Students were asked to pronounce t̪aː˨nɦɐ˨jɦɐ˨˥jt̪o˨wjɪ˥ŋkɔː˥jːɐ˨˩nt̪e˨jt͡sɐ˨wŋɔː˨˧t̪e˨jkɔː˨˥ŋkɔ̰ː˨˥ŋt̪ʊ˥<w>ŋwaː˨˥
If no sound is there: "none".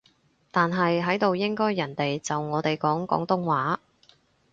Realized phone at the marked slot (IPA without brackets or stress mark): none